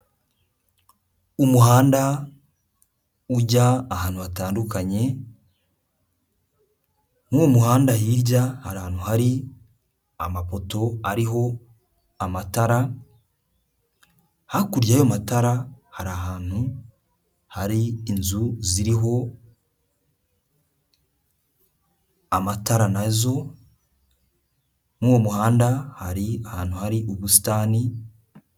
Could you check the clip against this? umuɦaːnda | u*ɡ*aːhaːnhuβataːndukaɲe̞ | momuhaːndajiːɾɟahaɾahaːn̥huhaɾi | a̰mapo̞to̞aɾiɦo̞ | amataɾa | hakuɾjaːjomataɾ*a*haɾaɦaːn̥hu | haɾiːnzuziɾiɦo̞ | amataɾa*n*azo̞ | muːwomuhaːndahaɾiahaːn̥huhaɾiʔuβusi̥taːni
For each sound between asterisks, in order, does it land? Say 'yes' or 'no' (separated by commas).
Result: no, yes, yes